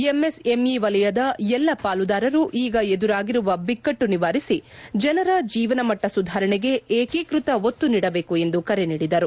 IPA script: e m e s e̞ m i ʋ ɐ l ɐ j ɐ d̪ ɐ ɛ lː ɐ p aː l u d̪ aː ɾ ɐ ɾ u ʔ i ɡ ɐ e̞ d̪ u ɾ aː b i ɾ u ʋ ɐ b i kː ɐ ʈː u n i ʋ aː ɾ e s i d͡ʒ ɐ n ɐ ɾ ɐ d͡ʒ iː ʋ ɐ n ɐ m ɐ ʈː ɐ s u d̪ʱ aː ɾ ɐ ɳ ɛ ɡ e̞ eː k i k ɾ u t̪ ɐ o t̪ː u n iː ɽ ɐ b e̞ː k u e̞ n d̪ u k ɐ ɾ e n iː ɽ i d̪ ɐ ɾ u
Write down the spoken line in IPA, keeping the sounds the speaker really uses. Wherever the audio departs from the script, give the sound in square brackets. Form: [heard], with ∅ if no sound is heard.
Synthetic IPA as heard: e m e s e̞ m i ʋ ɐ l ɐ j ɐ d̪ ɐ ɛ lː ɐ p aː l u d̪ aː ɾ ɐ ɾ u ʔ [iː] ɡ ɐ e̞ d̪ u ɾ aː [ɡ] i ɾ u ʋ ɐ b i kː ɐ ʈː u n i ʋ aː ɾ [i] s i d͡ʒ ɐ n ɐ ɾ ɐ d͡ʒ iː ʋ ɐ n ɐ m ɐ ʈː ɐ s u d̪ʱ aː ɾ ɐ ɳ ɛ ɡ e̞ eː k i k ɾ u t̪ ɐ o t̪ː u n iː ɽ ɐ b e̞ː k u e̞ n d̪ u k ɐ ɾ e n iː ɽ i d̪ ɐ ɾ u